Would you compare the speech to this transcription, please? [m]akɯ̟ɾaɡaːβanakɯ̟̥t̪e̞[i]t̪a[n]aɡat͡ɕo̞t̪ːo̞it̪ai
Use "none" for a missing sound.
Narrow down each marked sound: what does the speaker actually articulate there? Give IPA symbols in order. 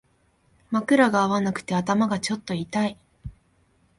m, a, m

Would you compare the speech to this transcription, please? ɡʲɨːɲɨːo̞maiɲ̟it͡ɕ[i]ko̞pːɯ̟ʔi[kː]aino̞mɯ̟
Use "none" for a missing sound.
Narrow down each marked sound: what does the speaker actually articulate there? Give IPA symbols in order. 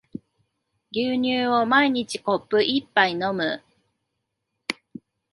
i, pː

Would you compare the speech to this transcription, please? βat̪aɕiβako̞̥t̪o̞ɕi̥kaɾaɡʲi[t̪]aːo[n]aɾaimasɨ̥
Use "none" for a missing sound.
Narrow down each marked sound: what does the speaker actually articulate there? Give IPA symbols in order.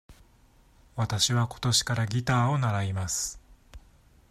t̪, n

